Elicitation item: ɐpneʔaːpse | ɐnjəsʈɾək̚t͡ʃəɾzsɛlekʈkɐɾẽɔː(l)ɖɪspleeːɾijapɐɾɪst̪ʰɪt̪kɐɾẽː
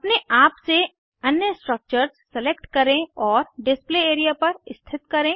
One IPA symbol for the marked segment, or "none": ɾ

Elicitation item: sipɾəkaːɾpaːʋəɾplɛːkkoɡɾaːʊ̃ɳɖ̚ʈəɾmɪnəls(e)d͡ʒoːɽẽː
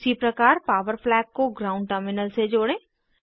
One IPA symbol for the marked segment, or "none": e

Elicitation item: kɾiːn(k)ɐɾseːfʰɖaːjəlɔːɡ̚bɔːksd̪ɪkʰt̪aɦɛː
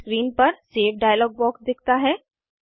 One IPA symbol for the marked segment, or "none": p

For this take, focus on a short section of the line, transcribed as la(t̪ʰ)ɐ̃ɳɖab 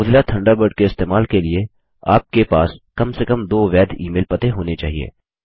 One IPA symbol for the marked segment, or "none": t̪ʰ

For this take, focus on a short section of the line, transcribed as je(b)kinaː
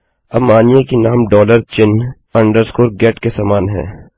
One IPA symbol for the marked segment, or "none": none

